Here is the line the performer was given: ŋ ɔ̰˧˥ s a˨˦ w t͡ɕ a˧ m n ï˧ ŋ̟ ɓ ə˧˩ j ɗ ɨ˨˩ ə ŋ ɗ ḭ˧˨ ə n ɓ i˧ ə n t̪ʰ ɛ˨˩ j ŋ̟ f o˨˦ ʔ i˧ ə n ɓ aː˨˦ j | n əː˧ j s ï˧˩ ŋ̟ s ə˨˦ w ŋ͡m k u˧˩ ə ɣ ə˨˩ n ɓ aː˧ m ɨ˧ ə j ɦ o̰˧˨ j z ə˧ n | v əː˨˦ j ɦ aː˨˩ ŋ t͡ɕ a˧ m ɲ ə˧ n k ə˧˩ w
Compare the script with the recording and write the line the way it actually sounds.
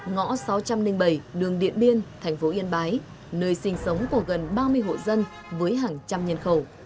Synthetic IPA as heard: ŋ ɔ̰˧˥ s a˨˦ w t͡ɕ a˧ m n ï˧ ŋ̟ ɓ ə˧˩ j ɗ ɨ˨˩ ə ŋ ɗ ḭ˧˨ ə n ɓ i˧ ə n t̪ʰ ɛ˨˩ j ŋ̟ f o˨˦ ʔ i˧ ə n ɓ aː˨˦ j | n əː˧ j s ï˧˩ ŋ̟ s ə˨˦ w ŋ͡m k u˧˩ ə ɣ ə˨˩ n ɓ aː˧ m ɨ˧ ə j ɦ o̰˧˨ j z ə˧ n | v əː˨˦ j ɦ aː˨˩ ŋ t͡ɕ a˧ m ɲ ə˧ n x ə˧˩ w